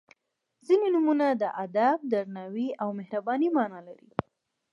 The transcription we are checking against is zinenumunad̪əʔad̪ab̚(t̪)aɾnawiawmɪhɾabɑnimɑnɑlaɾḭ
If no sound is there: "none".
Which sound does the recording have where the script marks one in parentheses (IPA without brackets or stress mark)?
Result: d̪